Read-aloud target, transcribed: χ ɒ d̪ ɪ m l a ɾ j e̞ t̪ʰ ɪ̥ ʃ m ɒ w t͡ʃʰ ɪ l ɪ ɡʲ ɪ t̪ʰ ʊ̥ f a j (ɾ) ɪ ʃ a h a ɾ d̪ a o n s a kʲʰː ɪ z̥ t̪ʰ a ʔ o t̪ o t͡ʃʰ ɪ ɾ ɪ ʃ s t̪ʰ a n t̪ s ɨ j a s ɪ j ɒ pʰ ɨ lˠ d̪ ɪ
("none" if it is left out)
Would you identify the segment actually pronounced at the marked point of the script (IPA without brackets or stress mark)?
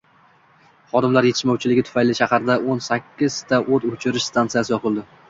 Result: l